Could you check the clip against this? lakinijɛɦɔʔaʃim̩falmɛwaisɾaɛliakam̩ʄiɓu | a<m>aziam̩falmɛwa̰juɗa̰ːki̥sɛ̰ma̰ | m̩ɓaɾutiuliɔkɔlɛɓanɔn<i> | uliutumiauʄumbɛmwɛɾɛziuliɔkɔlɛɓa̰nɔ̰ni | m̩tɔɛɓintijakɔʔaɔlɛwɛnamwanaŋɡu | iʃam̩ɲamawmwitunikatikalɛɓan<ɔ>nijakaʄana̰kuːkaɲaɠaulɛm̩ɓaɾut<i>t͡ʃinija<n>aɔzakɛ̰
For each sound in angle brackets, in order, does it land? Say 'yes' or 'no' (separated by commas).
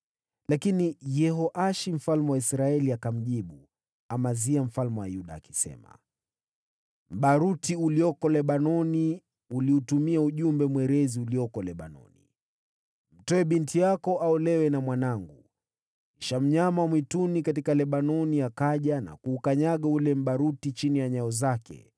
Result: yes, yes, yes, yes, no